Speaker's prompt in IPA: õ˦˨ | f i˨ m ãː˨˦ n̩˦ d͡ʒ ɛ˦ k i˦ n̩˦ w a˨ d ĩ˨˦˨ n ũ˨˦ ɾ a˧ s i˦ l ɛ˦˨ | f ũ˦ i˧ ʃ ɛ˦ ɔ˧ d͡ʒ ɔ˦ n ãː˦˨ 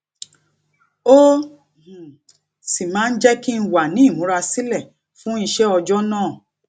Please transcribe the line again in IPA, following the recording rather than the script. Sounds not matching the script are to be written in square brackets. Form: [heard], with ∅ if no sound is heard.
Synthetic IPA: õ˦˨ | [s] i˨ m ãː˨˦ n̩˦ d͡ʒ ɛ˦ k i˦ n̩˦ w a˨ [n] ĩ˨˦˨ [m] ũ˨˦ ɾ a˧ s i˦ l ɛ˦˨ | f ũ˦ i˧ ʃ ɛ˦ ɔ˧ d͡ʒ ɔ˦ n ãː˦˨